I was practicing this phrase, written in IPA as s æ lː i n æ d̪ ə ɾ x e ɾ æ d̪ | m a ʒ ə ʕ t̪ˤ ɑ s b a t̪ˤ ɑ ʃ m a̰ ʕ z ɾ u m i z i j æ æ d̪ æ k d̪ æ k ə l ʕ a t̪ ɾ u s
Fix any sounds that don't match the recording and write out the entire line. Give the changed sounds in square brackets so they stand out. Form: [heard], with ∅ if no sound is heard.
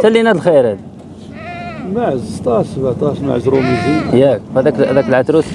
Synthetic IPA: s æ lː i n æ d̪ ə [l] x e ɾ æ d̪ | m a [ʕ] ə [z] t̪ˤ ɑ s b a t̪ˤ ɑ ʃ m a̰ ʕ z ɾ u m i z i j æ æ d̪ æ k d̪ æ k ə l ʕ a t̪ ɾ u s

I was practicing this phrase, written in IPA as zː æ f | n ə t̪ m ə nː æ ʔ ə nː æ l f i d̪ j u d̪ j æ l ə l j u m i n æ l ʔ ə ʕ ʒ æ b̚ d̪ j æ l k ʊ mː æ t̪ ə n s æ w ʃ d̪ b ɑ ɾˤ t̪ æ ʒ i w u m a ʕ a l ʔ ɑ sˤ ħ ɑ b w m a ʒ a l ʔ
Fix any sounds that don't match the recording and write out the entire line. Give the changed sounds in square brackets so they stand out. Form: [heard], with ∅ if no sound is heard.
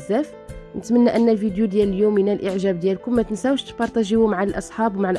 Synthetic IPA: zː æ f | n ə t̪ m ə nː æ ʔ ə nː æ l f i d̪ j u d̪ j æ l ə l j u m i n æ l ʔ ə ʕ ʒ æ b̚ d̪ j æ l k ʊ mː æ t̪ ə n s æ w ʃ [t̪] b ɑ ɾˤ t̪ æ ʒ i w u m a ʕ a l ʔ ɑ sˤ ħ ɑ b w m a [ʕ] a l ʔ

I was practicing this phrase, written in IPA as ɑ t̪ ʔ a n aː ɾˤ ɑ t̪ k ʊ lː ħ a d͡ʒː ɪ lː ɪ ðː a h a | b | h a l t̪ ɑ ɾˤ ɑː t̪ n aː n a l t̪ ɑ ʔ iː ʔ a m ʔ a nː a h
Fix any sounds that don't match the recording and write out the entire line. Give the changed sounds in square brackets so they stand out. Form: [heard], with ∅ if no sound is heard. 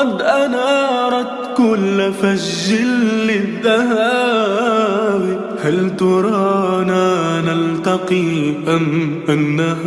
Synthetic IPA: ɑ [d̪] ʔ a n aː ɾˤ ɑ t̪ k ʊ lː [f] a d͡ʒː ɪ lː ɪ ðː a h a | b | h a l t̪ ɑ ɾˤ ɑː [∅] n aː n a l t̪ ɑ [q] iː ʔ a m ʔ a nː a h

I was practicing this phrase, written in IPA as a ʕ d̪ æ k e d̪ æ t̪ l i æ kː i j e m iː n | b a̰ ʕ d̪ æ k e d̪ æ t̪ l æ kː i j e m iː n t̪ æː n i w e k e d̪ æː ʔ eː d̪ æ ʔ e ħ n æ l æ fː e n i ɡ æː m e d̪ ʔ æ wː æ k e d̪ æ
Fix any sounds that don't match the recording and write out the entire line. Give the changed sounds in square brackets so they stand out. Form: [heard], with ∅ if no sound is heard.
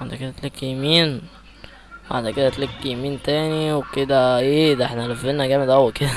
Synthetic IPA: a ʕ d̪ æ k e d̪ æ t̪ l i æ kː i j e m iː n | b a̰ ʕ d̪ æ k e d̪ æ t̪ l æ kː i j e m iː n t̪ æː n i w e k e d̪ [æ] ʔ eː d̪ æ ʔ e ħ n æ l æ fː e n [æ] ɡ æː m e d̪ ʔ æ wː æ k e d̪ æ

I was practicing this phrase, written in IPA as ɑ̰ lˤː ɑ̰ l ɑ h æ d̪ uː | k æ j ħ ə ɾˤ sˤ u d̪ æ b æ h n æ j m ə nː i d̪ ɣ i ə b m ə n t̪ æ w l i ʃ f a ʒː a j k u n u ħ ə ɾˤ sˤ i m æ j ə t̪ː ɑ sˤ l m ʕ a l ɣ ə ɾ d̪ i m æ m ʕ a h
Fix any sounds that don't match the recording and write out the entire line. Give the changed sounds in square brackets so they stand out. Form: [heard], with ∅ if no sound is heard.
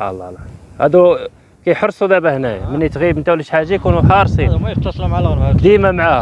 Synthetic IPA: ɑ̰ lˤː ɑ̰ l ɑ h æ d̪ [u] | k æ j ħ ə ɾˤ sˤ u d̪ æ b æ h n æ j m ə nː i [t̪] ɣ i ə b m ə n t̪ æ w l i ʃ [ħ] a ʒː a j k u n u ħ [ɑ] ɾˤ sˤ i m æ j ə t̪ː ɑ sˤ l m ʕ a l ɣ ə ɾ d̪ i m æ m ʕ a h

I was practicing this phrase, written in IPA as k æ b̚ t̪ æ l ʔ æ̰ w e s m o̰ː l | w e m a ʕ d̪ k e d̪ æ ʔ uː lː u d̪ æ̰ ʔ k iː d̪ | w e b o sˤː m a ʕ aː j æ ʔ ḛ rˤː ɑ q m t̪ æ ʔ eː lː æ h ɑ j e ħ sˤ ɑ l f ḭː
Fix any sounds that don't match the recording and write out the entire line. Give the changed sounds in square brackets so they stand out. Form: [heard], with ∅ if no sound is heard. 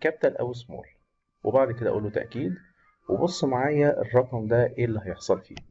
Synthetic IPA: k æ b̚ t̪ æ l ʔ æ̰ w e s m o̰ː l | w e [b] a ʕ d̪ k e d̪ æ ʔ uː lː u [t̪] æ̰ ʔ k iː d̪ | w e b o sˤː m a ʕ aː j æ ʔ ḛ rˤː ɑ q m [d̪] æ ʔ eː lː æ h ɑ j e ħ sˤ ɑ l f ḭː

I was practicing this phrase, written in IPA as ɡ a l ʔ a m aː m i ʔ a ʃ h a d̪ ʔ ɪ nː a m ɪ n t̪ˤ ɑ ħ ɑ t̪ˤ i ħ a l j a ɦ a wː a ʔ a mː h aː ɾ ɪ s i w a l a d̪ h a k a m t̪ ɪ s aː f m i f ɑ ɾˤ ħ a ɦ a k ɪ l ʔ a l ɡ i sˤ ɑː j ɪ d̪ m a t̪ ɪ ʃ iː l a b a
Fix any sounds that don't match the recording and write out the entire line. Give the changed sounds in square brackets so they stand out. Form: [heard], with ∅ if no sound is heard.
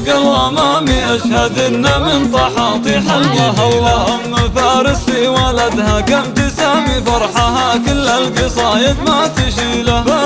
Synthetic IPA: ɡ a l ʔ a m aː m i ʔ a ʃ h a d̪ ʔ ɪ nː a m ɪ n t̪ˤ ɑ ħ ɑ t̪ˤ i ħ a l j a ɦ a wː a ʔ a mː [f] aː ɾ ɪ s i w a l a d̪ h a k a m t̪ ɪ s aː [∅] m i f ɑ ɾˤ ħ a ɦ a k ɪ l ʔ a l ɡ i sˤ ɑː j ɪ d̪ m a t̪ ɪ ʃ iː l a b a

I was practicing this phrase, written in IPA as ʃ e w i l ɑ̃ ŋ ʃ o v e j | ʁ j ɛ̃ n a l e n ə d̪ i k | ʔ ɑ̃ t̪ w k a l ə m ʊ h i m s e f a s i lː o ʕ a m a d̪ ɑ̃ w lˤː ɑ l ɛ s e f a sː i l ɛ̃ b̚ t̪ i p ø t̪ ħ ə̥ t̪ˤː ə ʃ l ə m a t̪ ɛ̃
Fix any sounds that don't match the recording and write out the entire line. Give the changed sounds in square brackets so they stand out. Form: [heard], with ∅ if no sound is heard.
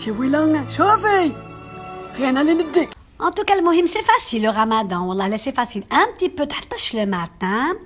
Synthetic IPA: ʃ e w i l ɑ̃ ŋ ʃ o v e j | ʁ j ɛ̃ n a l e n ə d̪ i k | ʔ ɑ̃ t̪ [u] k a l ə m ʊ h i m s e f a s i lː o [ʁ] a m a d̪ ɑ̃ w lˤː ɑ l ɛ s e f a [s] i l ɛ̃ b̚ t̪ i p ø t̪ ħ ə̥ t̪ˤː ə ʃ l ə m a t̪ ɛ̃

